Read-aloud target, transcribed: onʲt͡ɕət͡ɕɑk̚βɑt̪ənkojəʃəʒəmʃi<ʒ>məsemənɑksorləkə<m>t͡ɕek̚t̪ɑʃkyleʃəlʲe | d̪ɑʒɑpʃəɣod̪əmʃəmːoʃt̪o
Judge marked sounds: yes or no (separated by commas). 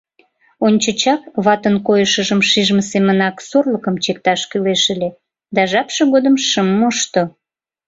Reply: yes, yes